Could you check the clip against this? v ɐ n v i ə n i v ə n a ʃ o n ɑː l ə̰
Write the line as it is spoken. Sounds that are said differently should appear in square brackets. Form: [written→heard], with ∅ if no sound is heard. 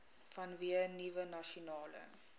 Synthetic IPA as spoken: [v→f] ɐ n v i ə n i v ə n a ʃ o n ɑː l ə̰